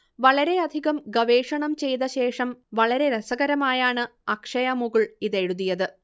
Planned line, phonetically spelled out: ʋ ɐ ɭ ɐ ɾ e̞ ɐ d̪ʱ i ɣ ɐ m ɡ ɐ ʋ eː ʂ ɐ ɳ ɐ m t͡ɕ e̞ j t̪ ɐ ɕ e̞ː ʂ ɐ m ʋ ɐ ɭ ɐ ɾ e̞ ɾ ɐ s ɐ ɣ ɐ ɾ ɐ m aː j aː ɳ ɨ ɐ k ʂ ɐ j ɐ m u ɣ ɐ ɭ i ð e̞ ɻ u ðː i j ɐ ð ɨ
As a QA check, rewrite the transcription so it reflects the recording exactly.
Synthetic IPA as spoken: ʋ ɐ ɭ ɐ ɾ e̞ ɐ d̪ʱ i ɣ ɐ m ɡ ɐ ʋ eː ʂ ɐ ɳ ɐ m t͡ɕ e̞ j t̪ ɐ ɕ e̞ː ʂ ɐ m ʋ ɐ ɭ ɐ ɾ e̞ ɾ ɐ s ɐ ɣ ɐ ɾ ɐ m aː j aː ɳ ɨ ɐ k ʂ ɐ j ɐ m u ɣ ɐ ɭ i ð e̞ ɻ u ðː i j ɐ ð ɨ